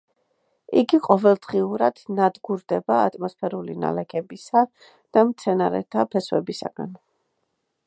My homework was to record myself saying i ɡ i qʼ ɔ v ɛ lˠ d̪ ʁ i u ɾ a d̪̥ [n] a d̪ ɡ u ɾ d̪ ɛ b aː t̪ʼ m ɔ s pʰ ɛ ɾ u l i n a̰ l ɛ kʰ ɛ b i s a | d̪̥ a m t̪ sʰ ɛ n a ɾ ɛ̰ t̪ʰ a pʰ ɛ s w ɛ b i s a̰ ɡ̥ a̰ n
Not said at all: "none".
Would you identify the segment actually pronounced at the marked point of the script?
n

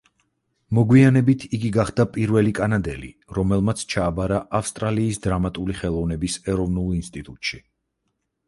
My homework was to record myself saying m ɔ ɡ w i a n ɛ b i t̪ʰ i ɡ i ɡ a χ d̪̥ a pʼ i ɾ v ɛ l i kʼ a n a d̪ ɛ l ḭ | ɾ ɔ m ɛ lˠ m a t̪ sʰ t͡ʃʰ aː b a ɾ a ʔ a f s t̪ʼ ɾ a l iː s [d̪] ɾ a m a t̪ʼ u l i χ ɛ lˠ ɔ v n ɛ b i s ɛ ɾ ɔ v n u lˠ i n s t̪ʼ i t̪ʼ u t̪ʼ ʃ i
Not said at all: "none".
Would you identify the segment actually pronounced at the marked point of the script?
d̪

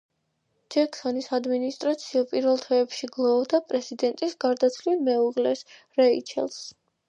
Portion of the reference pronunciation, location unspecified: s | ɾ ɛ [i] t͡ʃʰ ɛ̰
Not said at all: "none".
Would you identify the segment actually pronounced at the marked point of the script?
i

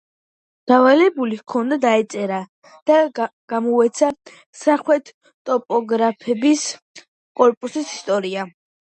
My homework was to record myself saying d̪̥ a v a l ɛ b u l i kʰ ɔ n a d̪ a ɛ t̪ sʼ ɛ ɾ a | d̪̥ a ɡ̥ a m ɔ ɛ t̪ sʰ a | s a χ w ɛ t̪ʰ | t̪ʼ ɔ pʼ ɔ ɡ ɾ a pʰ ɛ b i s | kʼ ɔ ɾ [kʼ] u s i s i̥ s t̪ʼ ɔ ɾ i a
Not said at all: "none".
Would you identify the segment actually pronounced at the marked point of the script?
pʼ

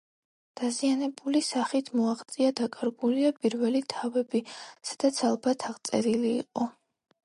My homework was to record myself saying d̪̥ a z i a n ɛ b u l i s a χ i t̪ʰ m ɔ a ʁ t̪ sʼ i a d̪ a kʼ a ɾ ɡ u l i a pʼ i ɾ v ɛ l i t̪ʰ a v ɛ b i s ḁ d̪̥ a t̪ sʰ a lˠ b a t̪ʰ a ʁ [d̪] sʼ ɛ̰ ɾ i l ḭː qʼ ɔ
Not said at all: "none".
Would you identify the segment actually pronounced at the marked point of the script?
t̪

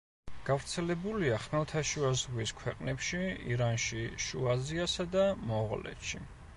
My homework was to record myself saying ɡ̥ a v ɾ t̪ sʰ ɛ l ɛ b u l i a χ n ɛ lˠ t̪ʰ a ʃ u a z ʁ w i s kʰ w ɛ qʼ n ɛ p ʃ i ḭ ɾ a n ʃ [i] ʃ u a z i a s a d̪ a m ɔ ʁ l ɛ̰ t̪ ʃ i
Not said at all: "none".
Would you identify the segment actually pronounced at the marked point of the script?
i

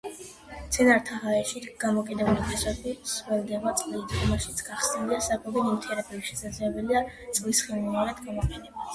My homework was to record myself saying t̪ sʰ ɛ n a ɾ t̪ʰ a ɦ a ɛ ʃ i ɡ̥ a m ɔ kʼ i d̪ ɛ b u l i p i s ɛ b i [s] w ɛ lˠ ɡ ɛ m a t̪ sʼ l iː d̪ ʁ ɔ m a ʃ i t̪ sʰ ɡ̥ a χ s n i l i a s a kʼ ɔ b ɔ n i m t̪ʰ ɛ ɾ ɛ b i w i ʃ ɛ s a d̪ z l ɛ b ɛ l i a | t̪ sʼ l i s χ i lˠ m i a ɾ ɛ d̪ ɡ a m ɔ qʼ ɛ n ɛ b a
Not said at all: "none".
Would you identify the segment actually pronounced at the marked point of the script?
s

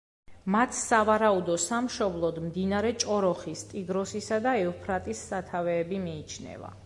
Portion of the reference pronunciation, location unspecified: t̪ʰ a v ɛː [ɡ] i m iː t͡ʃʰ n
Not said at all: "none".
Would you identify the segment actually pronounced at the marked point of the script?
b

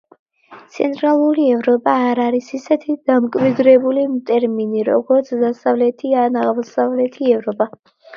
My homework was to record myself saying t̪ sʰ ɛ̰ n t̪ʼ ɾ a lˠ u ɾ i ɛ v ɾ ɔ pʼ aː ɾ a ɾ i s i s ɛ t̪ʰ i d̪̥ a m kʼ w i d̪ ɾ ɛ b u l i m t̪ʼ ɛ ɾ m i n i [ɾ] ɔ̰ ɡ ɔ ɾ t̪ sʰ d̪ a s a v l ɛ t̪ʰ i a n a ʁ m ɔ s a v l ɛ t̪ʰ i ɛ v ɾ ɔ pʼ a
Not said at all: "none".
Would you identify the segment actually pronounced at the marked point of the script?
ɾ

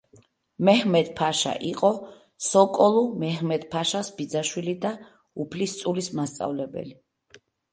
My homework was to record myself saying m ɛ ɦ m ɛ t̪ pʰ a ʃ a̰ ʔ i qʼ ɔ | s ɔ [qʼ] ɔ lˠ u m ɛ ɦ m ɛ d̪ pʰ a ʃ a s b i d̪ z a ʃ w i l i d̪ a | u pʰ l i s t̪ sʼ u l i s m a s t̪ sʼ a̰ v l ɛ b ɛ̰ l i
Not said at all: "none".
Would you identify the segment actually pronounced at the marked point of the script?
kʼ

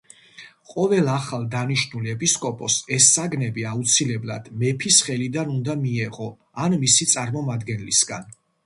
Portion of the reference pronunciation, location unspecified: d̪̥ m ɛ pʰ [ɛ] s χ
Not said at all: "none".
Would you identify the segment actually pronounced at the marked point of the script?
i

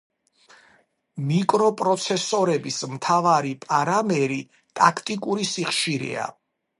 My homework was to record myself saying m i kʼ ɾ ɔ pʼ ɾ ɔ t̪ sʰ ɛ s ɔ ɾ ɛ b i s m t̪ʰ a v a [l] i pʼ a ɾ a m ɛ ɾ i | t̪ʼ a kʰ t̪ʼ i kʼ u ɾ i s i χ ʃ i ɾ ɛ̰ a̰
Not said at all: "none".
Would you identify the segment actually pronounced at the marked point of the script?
ɾ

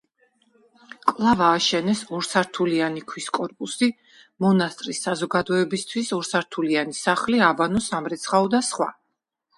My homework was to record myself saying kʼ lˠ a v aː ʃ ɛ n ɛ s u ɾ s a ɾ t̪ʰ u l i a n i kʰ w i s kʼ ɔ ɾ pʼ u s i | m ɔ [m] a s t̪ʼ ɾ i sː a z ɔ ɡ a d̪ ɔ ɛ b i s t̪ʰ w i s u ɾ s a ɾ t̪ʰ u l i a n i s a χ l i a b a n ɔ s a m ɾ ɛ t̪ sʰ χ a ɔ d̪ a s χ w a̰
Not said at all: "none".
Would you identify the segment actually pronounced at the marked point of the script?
n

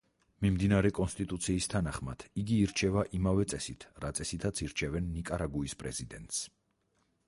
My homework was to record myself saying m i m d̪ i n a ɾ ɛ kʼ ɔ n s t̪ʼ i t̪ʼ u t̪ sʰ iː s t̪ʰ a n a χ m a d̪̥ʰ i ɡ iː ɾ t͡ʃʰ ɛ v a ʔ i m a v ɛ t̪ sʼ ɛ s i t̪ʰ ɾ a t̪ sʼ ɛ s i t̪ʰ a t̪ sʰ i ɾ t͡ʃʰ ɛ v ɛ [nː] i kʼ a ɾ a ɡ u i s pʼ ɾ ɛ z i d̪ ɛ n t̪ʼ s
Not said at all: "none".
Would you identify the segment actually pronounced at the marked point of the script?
nː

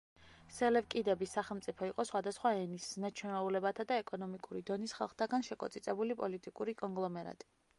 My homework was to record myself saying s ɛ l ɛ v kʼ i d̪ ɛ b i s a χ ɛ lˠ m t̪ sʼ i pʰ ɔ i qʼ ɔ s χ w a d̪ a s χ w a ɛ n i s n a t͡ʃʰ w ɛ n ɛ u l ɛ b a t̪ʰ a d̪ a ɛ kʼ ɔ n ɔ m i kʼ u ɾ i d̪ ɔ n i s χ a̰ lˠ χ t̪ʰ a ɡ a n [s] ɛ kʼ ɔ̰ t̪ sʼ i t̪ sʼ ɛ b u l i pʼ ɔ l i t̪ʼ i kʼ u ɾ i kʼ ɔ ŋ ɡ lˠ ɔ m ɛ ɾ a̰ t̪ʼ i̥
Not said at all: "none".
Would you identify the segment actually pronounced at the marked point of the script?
ʃ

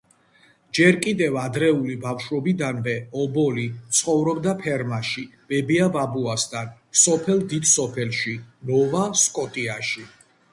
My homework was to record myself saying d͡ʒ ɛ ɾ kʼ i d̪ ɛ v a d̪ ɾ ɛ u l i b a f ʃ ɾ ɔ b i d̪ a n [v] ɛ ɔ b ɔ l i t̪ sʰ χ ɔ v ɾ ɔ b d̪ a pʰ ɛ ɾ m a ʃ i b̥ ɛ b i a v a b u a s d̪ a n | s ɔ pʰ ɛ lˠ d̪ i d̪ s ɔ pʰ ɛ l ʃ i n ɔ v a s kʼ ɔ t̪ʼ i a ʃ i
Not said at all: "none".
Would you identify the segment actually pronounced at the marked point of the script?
v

